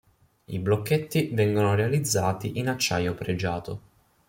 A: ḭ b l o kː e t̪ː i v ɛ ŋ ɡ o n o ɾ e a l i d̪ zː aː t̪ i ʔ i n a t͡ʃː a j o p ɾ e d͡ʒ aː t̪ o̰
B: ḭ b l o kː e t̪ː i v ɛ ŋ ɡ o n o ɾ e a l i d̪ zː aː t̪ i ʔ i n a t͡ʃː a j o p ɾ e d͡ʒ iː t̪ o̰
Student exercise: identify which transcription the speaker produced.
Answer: A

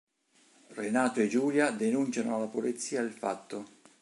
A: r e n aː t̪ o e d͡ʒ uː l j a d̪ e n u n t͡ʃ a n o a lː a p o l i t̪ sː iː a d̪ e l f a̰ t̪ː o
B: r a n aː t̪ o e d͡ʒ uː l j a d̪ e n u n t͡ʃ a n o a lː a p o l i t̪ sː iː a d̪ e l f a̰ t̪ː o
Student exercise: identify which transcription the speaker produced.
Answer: A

